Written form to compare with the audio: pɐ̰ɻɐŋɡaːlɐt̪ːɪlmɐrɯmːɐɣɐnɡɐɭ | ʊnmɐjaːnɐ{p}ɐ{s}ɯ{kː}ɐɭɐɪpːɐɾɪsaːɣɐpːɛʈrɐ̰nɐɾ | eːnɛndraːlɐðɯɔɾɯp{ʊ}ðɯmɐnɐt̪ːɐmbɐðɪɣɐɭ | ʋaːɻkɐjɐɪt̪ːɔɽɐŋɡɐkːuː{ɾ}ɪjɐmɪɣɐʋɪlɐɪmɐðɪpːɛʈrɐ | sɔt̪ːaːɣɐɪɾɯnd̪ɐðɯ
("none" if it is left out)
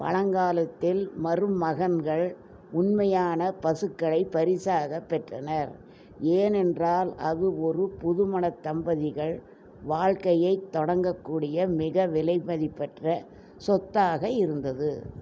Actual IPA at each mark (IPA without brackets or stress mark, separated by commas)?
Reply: p, s, kː, ʊ, ɽ